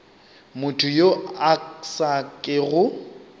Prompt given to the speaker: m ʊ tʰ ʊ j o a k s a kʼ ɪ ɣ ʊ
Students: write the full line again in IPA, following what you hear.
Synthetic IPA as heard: m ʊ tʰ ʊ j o a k s a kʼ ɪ ɣ ʊ

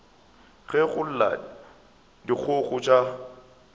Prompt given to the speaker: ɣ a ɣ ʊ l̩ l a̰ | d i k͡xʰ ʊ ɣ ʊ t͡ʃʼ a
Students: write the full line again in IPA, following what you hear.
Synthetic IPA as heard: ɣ ɛ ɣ ʊ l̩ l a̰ | d i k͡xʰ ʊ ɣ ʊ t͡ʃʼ a

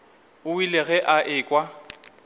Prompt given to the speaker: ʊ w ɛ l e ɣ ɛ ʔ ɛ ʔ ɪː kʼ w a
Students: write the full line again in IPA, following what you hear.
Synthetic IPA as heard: ʊ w i l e ɣ ɛ ʔ a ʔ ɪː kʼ w a

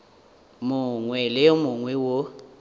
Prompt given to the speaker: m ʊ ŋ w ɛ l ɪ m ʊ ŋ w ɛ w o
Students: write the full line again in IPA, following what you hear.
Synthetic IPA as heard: m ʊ ŋ w ɛ l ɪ m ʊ ŋ w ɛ w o

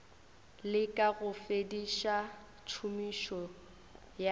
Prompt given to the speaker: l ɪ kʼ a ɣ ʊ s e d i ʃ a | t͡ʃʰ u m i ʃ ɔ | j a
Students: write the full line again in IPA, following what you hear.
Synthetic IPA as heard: l ɪ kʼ a ɣ ʊ f e d i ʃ a | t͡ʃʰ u m i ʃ ɔ | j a

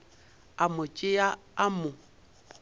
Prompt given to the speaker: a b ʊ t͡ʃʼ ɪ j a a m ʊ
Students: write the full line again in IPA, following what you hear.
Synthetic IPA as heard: a m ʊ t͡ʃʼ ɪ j a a m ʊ

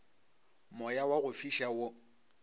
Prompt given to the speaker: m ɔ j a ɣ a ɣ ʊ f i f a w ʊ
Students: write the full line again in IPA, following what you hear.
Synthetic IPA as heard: m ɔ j a w a ɣ ʊ f i ʃ a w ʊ

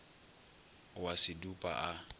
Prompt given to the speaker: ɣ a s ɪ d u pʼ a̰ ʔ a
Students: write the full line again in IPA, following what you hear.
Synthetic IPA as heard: w a s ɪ d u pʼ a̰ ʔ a

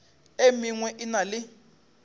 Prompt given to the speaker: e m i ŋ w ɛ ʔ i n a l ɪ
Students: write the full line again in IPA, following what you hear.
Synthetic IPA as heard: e m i ŋ w ɛ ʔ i n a l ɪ

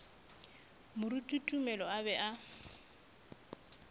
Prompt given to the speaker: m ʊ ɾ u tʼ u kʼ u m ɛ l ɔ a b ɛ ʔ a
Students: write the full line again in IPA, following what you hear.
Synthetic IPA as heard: m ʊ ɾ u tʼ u tʼ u m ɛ l ɔ a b ɛ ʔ a

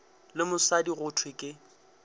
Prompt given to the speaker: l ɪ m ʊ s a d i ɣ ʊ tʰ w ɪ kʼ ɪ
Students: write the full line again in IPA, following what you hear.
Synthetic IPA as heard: l ɪ m ʊ s a d i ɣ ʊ tʰ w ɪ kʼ ɪ

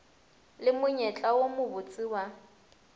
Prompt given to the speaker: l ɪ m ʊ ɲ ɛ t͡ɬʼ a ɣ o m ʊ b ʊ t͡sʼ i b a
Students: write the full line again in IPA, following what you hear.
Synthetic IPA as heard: l ɪ m ʊ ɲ ɛ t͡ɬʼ a w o m ʊ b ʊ t͡sʼ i w a

